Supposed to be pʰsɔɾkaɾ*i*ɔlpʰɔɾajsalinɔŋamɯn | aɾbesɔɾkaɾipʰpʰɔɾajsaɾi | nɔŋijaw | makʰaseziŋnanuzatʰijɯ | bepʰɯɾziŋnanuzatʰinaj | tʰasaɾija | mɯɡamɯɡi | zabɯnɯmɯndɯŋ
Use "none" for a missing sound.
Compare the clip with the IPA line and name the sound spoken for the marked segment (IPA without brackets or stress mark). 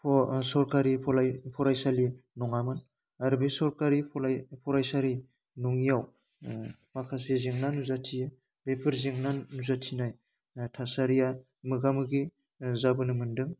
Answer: i